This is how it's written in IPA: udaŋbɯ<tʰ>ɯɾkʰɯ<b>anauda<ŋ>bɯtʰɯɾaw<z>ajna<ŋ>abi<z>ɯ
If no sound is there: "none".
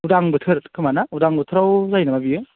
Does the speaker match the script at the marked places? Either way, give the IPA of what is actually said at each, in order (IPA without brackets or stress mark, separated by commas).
tʰ, m, ŋ, z, m, none